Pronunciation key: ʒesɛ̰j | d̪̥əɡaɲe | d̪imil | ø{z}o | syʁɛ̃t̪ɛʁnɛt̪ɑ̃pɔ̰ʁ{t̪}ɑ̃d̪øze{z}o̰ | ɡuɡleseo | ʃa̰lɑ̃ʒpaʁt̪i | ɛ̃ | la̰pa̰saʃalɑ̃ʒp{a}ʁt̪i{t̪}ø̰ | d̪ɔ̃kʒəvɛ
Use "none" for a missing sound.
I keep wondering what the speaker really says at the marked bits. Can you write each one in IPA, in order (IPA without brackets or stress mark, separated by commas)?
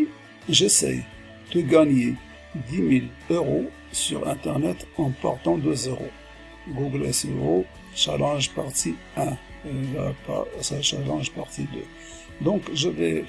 ʁ, t̪, ʁ, a, d̪